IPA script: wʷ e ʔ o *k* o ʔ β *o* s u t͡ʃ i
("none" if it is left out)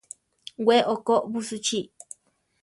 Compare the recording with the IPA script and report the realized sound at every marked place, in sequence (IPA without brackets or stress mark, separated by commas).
k, u